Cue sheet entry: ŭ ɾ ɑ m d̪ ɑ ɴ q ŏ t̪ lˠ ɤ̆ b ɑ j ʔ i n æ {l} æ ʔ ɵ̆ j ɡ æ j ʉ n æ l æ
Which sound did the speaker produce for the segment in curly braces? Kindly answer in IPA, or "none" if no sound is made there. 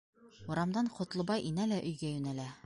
l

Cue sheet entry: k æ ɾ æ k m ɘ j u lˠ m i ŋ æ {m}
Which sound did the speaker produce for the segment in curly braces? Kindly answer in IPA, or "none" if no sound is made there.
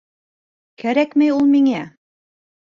none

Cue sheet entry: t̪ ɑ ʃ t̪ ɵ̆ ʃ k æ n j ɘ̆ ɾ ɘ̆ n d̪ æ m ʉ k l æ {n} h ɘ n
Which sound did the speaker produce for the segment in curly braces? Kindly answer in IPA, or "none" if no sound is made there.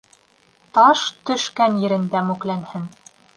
n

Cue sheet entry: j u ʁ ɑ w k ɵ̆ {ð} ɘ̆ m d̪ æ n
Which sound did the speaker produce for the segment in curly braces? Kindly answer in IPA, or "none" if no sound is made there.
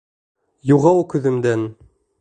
ð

